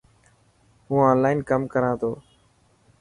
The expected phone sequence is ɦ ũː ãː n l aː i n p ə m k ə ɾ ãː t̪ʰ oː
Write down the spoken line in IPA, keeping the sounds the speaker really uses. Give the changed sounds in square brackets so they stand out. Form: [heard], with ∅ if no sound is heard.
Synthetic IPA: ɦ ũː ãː n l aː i n [k] ə m k ə ɾ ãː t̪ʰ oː